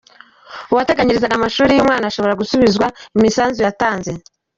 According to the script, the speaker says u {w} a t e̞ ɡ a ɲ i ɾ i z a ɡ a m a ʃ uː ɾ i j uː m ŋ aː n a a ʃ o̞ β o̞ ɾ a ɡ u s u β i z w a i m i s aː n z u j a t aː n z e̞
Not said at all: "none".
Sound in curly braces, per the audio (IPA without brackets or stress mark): w